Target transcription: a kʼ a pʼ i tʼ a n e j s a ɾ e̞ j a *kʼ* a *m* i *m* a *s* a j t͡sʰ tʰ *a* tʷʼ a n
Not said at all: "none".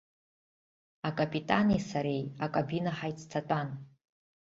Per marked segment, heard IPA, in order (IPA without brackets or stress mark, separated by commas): kʼ, b, n, ħ, a